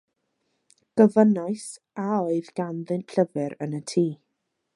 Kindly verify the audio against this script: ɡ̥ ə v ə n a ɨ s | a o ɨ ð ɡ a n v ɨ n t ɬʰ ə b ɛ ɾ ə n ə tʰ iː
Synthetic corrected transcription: ɡ̥ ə v ə n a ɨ s | a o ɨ ð ɡ a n ð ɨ n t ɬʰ ə v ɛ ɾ ə n ə tʰ iː

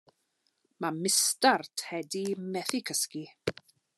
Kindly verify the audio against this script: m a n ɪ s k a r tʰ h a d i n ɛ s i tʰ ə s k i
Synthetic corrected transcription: m a m ɪ s t a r tʰ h ɛ d i m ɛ θ i kʰ ə s k i

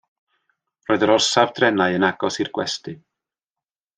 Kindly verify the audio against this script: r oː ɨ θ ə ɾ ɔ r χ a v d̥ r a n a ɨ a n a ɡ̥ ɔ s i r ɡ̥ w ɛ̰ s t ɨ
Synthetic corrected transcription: r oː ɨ ð ə ɾ ɔ r s a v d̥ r ɛ n a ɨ ə n a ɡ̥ ɔ s i r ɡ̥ w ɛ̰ s t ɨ

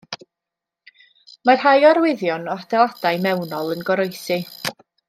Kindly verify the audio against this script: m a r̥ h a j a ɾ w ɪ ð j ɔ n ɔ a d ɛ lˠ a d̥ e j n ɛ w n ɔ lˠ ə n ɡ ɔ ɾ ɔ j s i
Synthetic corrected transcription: m a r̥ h a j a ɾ w ɪ ð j ɔ n ɔ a d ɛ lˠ a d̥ a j m ɛ w n ɔ lˠ ə n ɡ ɔ ɾ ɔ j s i

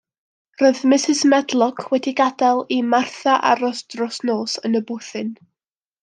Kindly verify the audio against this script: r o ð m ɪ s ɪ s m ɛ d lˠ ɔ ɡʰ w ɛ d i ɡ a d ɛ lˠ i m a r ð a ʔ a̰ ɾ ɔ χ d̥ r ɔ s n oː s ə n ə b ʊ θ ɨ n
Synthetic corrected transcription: r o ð m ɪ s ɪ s m ɛ d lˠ ɔ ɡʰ w ɛ d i ɡ a d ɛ lˠ i m a r θ a ʔ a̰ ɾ ɔ s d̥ r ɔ s n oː s ə n ə b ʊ θ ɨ n

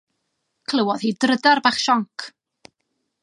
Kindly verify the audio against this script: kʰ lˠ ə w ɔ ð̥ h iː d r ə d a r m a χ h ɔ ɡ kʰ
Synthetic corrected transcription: kʰ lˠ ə w ɔ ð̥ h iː d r ə d a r b a χ ʃ ɔ ŋ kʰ

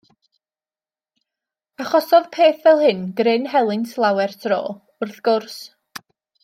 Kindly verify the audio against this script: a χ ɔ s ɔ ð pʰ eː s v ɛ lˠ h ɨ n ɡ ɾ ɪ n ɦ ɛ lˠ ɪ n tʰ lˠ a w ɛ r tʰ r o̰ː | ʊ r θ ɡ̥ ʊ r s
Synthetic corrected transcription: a χ ɔ s ɔ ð pʰ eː θ v ɛ lˠ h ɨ n ɡ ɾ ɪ n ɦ ɛ lˠ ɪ n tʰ lˠ a w ɛ r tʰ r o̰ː | ʊ r θ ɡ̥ ʊ r s

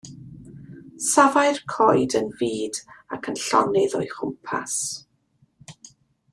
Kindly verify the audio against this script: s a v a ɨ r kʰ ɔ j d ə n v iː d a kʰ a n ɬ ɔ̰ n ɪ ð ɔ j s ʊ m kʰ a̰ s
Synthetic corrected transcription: s a v a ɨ r kʰ ɔ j d ə n v iː d a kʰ ə n ɬ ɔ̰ n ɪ ð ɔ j χ ʊ m pʰ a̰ s

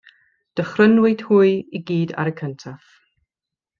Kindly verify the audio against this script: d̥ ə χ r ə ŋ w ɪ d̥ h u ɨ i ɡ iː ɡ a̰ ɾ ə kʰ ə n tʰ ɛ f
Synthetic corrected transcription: d̥ ə χ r ə n w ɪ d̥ h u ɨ i ɡ iː d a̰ ɾ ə kʰ ə n tʰ a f

